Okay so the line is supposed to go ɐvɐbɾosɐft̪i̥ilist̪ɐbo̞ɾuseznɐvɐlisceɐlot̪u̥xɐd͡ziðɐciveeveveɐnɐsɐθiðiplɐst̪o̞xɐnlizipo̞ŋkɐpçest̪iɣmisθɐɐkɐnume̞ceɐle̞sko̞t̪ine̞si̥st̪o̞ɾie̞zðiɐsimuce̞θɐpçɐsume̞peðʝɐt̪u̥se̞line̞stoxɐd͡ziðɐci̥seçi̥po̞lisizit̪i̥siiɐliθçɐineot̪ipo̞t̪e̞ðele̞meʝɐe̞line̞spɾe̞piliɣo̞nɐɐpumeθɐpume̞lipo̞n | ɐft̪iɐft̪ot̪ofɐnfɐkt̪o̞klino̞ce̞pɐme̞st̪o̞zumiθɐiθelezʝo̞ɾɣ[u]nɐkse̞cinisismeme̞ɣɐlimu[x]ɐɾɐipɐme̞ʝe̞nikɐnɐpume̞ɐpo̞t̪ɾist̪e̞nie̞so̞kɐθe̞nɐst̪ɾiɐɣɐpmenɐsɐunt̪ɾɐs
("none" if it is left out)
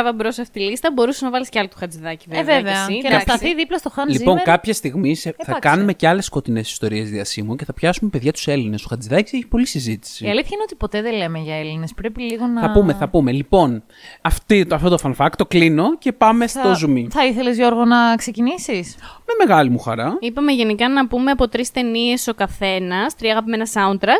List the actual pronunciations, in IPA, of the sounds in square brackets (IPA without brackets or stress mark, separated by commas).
o, x